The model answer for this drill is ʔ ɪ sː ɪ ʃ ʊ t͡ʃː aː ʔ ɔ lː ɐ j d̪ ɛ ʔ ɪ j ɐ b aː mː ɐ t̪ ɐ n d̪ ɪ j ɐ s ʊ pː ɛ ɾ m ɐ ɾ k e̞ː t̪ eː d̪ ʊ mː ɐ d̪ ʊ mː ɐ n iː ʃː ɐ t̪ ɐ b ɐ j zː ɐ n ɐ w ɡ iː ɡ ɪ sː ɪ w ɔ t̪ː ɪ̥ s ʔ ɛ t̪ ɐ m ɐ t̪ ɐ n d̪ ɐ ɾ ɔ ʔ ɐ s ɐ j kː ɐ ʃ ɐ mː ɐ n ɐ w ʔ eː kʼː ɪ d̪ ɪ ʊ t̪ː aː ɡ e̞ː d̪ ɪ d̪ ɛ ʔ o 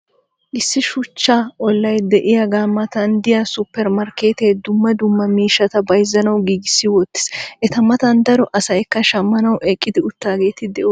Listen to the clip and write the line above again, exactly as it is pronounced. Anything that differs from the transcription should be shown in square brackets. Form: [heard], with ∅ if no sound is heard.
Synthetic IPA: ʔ ɪ sː ɪ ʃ ʊ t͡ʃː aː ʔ ɔ lː ɐ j d̪ ɛ ʔ ɪ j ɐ [ɡ] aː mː ɐ t̪ ɐ n d̪ ɪ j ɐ s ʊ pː ɛ ɾ m ɐ ɾ k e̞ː t̪ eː d̪ ʊ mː ɐ d̪ ʊ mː ɐ [m] iː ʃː ɐ t̪ ɐ b ɐ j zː ɐ n ɐ w ɡ iː ɡ ɪ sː ɪ w ɔ t̪ː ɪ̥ s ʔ ɛ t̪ ɐ m ɐ t̪ ɐ n d̪ ɐ ɾ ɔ ʔ ɐ s ɐ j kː ɐ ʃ ɐ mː ɐ n ɐ w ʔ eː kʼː ɪ d̪ ɪ ʊ t̪ː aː ɡ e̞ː [t̪] ɪ d̪ ɛ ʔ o